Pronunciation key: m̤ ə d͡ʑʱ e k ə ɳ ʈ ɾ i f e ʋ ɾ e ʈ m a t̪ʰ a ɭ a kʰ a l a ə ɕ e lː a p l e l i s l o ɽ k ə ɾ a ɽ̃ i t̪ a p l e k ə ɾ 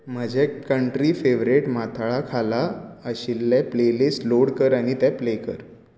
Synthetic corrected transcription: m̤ ə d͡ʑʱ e k ə ɳ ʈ ɾ i f e ʋ ɾ e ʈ m a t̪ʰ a ɭ a kʰ a l a ə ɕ i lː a p l e l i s l o ɽ k ə ɾ a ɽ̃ i t̪ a p l e k ə ɾ

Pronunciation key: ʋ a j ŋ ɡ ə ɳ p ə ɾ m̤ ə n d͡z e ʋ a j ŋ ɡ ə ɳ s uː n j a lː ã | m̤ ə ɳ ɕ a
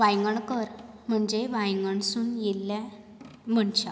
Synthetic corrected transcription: ʋ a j ŋ ɡ ə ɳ k ə ɾ m̤ ə ɳ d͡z e ʋ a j ŋ ɡ ə ɳ s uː n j e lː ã | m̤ ə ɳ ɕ a

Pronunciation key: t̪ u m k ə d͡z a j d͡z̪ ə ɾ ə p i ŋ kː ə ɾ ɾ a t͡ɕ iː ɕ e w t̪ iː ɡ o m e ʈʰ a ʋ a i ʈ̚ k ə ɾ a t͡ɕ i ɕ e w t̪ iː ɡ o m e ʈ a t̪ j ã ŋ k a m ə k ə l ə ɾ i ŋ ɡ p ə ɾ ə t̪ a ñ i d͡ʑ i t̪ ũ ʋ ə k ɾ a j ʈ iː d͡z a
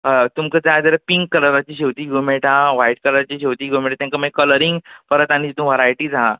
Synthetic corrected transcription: t̪ u m k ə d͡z a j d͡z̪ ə ɾ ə p i ŋ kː ə ɾ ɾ a t͡ɕ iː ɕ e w t̪ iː ɡ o m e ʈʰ a ʋ a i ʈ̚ k ə ɾ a t͡ɕ i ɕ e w t̪ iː ɡ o m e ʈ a t̪ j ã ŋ k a m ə k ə l ə ɾ i ŋ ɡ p ə ɾ ə t̪ a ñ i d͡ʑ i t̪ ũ ʋ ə ɾ a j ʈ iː d͡z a

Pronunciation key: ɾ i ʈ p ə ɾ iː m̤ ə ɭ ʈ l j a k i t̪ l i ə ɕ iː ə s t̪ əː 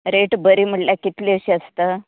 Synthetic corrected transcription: ɾ e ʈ b ə ɾ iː m̤ ə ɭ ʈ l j a k i t̪ l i ə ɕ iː ə s t̪ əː

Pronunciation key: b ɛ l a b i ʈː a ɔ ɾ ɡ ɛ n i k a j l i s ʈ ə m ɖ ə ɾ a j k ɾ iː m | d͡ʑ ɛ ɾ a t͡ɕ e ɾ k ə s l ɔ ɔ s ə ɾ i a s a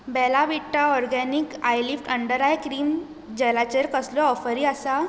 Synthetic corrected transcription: b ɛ l a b i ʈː a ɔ ɾ ɡ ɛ n i k a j l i f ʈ ə ɳ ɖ ə ɾ a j k ɾ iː m | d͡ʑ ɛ l a t͡ɕ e ɾ k ə s l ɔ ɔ f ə ɾ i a s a

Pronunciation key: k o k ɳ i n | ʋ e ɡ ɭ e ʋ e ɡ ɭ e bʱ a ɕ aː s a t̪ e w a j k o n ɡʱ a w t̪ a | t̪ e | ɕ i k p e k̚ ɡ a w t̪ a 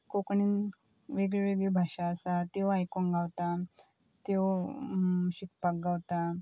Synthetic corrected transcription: k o k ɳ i n | ʋ e ɡ ɭ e ʋ e ɡ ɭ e bʱ a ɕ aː s a t̪ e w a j k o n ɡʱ a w t̪ a | t̪ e | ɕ i k p a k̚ ɡ a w t̪ a

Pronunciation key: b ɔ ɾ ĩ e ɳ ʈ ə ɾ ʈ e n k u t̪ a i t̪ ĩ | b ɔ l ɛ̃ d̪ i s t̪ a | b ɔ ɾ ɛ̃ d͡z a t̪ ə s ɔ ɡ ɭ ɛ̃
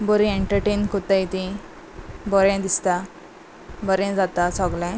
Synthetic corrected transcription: b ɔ ɾ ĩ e ɳ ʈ ə ɾ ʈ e n k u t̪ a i t̪ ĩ | b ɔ ɾ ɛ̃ d̪ i s t̪ a | b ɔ ɾ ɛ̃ d͡z a t̪ a s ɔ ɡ l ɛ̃

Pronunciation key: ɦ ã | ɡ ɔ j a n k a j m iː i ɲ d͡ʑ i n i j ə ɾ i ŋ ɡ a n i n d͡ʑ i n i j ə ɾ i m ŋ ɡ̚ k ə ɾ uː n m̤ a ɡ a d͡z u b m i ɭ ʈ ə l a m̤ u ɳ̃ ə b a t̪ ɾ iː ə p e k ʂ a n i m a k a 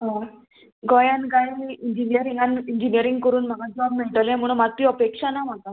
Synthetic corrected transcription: ɦ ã | ɡ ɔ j a n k a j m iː i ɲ d͡ʑ i n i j ə ɾ i ŋ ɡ a n i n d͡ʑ i n i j ə ɾ i ŋ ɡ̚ k ə ɾ uː n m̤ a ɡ a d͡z ɔ b m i ɭ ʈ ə l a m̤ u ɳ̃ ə m a t̪ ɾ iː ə p e k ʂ a n a m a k a

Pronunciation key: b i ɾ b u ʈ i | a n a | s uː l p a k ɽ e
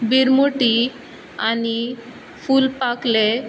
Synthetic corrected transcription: b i ɾ m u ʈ i | a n i | f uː l p a k l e

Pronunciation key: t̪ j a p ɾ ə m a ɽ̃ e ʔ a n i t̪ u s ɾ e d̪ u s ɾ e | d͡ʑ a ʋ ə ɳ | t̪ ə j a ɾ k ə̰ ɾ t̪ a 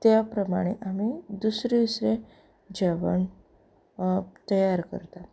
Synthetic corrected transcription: t̪ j a p ɾ ə m a ɽ̃ e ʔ a m i d̪ u s ɾ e d̪ u s ɾ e | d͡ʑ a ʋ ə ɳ | t̪ ə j a ɾ k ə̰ ɾ t̪ a

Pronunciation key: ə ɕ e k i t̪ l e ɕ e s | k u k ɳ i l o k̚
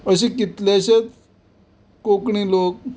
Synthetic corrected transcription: ə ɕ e k i t̪ l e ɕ e t͡s | k o k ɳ i l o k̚

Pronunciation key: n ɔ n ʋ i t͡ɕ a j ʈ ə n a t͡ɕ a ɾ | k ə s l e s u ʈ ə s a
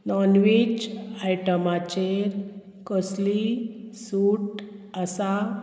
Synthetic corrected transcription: n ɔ n ʋ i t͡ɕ a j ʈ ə m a t͡ɕ e ɾ | k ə s l i s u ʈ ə s a

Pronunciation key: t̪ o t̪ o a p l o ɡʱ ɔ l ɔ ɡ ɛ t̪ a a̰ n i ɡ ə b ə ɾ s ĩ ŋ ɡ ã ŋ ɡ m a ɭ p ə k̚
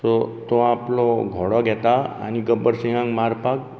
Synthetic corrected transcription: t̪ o t̪ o a p l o ɡʱ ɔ ɽ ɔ ɡ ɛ t̪ a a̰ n i ɡ ə b ə ɾ s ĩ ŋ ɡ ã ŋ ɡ m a ɾ p a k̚

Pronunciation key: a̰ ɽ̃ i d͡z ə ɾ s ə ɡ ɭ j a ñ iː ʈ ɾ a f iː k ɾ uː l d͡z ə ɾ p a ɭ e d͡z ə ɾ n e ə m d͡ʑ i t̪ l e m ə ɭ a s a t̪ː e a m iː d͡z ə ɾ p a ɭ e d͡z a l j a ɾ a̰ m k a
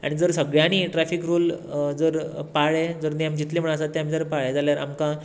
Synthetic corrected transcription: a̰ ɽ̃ i d͡z ə ɾ s ə ɡ ɭ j a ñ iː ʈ ɾ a f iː k ɾ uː l d͡z ə ɾ p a ɭ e d͡z ə ɾ n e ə m d͡ʑ i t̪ l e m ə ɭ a s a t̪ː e a m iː d͡z ə ɾ p a ɭ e d͡z a l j a ɾ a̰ m k a

